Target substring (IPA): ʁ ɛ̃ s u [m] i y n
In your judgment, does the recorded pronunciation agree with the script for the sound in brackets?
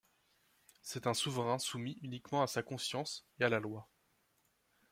yes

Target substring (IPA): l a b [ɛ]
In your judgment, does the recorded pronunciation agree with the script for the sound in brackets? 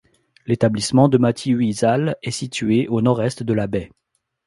yes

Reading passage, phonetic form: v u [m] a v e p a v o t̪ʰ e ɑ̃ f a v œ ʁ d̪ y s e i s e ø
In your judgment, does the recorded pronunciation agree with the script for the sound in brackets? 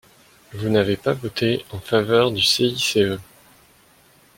no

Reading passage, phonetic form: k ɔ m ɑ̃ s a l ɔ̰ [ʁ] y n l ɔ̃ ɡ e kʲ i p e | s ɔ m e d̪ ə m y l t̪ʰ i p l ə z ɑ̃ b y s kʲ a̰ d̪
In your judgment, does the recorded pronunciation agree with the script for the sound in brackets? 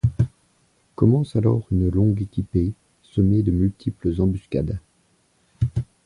yes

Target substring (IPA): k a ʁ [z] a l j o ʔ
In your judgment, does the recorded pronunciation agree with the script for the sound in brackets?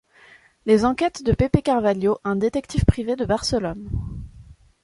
no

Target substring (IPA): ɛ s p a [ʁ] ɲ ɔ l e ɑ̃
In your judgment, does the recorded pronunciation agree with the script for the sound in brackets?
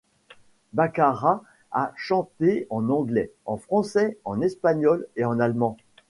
no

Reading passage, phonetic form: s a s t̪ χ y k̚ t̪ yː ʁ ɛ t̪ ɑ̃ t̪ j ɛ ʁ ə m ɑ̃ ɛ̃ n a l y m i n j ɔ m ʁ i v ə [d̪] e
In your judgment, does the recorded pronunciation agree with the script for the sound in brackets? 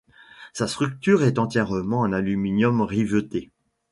no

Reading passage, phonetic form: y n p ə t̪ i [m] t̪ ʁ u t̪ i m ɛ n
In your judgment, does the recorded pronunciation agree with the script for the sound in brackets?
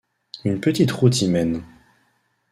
no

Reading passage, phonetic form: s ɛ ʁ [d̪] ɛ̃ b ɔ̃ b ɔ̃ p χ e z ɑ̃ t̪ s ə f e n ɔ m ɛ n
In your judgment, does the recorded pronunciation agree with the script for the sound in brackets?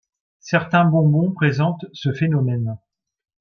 no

